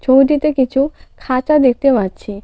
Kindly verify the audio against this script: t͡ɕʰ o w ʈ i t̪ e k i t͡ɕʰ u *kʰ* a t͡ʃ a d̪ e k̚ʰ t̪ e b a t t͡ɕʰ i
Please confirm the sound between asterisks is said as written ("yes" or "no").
yes